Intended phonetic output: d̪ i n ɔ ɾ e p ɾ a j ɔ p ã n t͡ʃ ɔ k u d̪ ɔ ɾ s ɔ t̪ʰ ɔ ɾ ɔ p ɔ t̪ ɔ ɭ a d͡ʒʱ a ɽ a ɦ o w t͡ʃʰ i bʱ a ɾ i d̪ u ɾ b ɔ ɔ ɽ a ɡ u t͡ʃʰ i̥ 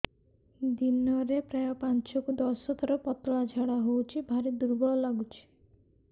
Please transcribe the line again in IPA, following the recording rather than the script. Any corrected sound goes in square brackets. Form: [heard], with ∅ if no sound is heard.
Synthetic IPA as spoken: d̪ i n ɔ ɾ e p ɾ a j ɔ p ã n t͡ʃ ɔ k u d̪ ɔ [∅] s ɔ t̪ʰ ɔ ɾ ɔ p ɔ t̪ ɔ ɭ a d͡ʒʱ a ɽ a ɦ o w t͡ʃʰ i bʱ a ɾ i d̪ u ɾ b ɔ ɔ [l] a ɡ u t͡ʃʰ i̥